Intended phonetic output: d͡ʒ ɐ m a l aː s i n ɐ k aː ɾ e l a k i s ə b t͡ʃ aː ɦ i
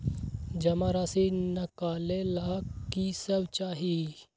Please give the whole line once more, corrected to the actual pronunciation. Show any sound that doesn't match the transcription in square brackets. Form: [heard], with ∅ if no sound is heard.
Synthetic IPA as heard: d͡ʒ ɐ m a [ɾ] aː s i n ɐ k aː [l] e l a k i s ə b t͡ʃ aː ɦ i